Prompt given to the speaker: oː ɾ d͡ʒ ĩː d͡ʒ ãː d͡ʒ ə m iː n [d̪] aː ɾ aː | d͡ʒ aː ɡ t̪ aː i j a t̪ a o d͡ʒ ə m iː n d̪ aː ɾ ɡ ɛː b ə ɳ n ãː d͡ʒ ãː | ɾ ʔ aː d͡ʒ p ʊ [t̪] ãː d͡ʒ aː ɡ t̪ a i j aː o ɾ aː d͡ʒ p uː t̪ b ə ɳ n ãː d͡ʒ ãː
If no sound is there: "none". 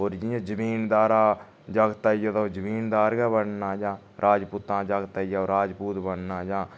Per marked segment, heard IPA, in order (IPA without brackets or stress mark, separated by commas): d̪, t̪